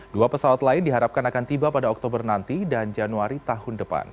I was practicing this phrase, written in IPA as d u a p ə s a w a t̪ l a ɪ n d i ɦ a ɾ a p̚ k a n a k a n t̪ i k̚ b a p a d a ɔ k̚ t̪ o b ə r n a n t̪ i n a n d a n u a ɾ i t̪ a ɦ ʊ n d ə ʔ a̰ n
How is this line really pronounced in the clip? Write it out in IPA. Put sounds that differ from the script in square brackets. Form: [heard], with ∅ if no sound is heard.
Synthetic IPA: d u a p ə s a w a t̪ l a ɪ n d i ɦ a ɾ a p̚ k a n a k a n t̪ i [∅] b a p a d a ɔ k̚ t̪ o b ə r n a n t̪ i [d] a n [d͡ʒ] a n u a ɾ i t̪ a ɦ ʊ n d ə [p] a̰ n